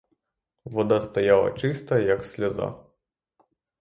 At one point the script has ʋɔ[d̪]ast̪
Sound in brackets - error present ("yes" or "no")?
no